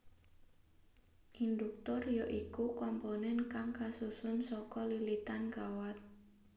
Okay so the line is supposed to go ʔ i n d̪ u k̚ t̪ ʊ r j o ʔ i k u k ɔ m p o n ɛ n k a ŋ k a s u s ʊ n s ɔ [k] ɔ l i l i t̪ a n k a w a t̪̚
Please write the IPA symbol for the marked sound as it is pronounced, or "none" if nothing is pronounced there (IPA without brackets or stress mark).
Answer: k